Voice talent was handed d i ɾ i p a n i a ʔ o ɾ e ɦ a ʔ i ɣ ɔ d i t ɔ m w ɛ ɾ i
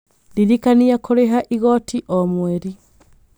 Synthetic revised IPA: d i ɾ i k a n i a k o ɾ e ɦ a ʔ i ɣ ɔ t i ʔ ɔ m w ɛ ɾ i